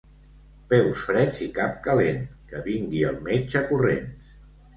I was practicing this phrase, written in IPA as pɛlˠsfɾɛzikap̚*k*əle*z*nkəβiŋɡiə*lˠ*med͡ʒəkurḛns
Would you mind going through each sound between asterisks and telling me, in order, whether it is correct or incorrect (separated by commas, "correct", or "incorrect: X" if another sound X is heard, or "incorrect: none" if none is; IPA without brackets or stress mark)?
correct, incorrect: none, correct